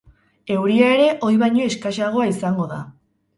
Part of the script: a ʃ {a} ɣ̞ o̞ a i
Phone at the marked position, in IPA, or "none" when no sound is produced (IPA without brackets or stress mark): a